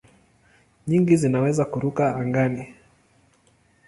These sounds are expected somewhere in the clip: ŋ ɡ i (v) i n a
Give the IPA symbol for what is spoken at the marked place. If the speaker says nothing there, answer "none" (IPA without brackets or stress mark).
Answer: z